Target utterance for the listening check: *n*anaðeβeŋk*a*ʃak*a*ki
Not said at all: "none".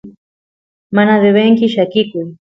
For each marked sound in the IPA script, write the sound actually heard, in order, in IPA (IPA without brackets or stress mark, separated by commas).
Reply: m, i, i